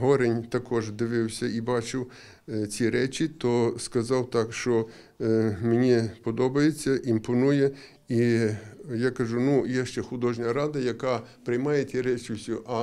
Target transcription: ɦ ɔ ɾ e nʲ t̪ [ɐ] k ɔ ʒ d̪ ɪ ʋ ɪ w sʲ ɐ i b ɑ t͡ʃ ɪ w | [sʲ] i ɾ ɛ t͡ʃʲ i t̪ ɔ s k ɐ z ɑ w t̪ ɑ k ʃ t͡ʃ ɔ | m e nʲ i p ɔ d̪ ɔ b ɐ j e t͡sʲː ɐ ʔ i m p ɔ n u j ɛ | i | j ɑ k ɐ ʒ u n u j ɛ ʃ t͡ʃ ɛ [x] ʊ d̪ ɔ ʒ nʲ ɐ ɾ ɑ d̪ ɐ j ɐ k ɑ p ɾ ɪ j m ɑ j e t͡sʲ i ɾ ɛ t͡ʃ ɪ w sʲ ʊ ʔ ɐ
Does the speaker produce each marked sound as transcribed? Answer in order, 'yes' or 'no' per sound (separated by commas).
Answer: yes, no, yes